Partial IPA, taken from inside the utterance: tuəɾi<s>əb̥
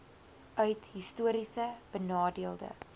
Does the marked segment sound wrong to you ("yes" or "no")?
no